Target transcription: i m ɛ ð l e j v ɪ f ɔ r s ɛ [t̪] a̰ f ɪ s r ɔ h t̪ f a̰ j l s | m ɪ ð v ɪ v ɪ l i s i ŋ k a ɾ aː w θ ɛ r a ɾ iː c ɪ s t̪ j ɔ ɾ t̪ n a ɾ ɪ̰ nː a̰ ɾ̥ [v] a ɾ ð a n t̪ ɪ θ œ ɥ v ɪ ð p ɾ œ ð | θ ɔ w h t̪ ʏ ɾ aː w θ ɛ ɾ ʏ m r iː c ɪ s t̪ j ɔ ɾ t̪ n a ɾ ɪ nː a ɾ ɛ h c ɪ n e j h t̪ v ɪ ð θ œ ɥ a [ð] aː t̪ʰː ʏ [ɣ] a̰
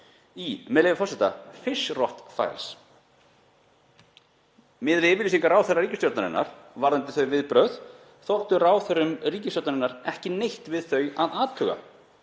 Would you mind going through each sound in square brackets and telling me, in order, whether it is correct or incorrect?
correct, correct, correct, correct

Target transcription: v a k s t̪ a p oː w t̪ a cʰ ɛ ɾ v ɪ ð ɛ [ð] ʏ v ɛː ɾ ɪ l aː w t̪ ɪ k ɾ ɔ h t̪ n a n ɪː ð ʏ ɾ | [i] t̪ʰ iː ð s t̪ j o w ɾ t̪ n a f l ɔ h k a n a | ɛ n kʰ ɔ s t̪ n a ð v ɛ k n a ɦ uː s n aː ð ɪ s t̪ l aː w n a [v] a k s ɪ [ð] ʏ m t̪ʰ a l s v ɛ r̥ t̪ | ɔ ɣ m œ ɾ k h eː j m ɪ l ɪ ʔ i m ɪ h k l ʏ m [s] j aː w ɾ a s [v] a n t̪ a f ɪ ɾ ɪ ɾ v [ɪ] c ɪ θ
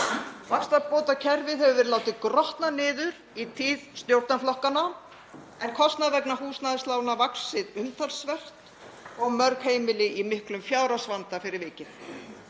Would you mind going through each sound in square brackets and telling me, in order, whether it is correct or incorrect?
incorrect, correct, correct, correct, incorrect, correct, incorrect

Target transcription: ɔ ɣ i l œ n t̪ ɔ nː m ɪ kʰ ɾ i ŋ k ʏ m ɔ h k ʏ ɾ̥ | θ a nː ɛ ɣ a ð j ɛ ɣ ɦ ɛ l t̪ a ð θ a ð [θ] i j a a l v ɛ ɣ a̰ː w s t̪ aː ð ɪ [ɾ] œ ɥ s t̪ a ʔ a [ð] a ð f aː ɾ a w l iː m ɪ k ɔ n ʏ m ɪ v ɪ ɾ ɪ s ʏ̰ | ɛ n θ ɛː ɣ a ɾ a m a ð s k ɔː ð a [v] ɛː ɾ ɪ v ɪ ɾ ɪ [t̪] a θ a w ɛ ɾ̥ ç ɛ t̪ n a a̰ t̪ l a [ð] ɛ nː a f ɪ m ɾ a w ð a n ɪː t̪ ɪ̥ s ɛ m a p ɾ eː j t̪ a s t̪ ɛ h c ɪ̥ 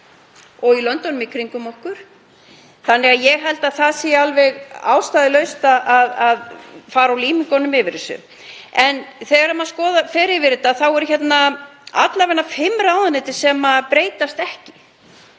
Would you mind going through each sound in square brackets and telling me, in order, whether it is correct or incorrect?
incorrect, incorrect, correct, incorrect, correct, incorrect

